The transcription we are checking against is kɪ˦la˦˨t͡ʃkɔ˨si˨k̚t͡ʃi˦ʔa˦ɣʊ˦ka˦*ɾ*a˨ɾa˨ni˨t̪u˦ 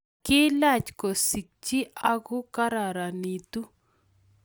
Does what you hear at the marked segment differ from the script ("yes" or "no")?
no